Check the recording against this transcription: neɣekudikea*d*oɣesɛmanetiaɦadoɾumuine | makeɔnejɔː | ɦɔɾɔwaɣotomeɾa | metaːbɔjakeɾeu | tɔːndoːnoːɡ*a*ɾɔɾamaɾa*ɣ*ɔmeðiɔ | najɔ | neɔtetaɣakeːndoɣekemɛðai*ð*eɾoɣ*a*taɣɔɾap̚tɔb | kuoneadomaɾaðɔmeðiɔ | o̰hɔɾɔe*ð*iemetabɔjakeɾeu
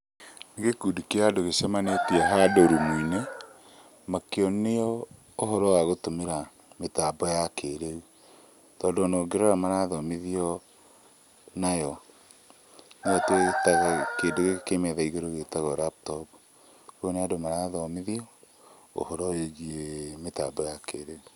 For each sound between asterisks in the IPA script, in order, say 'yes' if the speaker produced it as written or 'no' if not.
yes, no, no, no, no, no

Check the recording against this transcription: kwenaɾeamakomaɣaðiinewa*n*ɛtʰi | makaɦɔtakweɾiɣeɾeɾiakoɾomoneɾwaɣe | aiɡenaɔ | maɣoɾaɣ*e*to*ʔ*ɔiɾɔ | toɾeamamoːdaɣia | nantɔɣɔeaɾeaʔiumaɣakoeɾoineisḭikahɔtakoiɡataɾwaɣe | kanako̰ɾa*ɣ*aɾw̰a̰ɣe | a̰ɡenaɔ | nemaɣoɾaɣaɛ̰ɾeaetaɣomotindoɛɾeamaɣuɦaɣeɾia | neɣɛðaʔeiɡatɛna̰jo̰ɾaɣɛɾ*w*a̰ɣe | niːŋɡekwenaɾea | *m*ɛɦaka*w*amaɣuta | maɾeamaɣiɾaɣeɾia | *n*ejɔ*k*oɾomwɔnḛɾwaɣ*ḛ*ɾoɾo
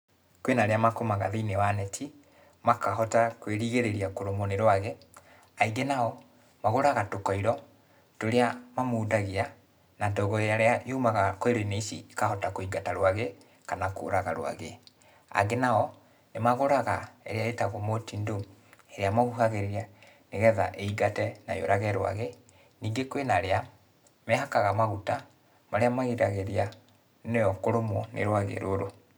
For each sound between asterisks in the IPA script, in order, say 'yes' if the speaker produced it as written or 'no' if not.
yes, no, no, yes, yes, yes, no, yes, yes, yes

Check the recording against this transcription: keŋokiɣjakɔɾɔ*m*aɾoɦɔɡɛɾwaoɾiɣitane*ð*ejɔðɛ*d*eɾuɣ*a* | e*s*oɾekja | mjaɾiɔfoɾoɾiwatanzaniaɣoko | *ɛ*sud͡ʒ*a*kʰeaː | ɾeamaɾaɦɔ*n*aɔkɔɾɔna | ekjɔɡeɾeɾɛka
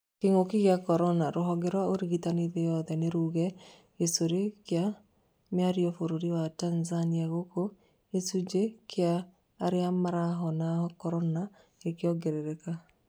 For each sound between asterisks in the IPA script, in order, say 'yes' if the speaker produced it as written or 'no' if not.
no, yes, no, no, yes, no, no, yes

